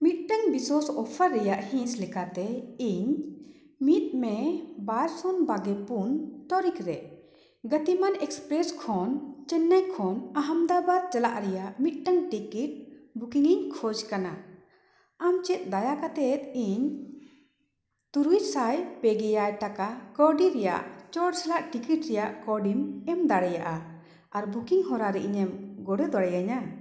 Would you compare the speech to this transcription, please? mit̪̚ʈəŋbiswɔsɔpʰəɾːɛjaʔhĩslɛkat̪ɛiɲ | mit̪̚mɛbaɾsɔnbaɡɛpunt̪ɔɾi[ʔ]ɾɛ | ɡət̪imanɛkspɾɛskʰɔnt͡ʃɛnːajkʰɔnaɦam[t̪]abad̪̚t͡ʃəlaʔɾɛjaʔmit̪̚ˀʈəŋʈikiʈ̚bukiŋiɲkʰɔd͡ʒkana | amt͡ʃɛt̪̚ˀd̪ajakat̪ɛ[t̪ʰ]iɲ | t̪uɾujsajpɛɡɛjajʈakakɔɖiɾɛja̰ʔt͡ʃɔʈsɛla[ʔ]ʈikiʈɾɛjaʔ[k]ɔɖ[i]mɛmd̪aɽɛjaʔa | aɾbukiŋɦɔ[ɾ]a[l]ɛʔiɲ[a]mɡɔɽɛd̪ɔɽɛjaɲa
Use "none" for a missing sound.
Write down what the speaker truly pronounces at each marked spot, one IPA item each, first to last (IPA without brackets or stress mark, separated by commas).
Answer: k, d̪, t̪, ʔ, k, i, ɾ, ɾ, ɛ